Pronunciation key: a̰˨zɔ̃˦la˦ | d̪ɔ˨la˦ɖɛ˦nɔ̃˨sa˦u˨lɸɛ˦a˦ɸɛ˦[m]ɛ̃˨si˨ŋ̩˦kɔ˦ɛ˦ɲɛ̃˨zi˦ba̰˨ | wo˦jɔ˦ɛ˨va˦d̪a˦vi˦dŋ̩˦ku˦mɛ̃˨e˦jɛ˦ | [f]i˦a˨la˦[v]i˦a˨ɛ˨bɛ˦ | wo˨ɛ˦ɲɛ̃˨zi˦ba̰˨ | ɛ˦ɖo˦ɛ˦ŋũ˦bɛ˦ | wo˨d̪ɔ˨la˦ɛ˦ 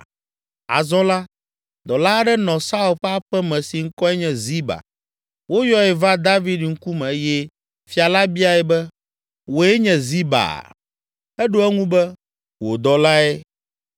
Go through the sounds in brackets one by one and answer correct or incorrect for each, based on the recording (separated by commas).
correct, correct, incorrect